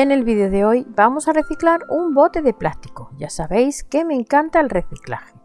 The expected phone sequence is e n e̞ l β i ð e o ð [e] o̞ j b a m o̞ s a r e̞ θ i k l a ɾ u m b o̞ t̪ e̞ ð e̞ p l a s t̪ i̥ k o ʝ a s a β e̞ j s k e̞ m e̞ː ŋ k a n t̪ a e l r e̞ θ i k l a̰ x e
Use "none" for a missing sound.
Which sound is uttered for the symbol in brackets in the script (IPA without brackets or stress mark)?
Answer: e